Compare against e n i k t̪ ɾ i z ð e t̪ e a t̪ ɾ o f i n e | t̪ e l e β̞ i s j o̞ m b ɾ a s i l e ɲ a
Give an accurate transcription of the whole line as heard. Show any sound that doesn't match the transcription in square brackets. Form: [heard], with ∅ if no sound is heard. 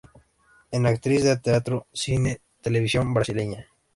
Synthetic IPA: e n [a] k t̪ ɾ i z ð e t̪ e a t̪ ɾ o [s] i n e | t̪ e l e β̞ i s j o̞ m b ɾ a s i l e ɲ a